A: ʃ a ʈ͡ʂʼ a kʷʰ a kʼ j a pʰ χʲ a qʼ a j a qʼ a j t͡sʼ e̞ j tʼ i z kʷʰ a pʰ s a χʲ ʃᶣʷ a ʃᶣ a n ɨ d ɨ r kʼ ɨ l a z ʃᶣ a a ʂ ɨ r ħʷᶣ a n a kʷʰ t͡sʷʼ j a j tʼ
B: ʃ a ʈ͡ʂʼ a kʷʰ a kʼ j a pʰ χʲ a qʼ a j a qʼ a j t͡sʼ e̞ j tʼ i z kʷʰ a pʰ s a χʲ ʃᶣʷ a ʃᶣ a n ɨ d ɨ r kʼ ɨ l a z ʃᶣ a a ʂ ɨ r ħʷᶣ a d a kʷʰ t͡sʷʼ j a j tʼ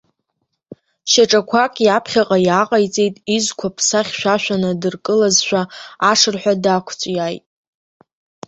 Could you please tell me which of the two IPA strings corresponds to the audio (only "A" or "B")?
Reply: B